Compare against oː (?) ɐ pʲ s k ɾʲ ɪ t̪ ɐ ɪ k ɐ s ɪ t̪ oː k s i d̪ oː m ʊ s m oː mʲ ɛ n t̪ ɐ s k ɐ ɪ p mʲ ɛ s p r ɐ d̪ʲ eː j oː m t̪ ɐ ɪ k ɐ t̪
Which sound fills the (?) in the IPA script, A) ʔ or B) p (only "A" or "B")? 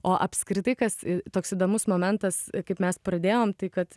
A